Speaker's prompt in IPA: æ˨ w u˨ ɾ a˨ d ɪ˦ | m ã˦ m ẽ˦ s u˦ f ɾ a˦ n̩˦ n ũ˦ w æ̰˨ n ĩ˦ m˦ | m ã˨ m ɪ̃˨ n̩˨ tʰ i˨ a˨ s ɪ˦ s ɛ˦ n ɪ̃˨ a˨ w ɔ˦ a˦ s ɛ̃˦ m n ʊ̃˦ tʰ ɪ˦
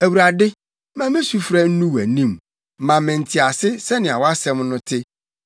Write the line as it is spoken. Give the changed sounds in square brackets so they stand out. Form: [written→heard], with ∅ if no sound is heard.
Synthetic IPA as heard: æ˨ w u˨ ɾ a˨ d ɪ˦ | m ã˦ m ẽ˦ s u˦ f ɾ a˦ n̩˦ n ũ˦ w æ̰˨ n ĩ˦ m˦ | m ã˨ m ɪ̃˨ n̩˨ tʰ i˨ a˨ s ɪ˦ s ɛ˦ n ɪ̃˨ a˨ w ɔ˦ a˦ s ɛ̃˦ m n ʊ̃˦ tʰ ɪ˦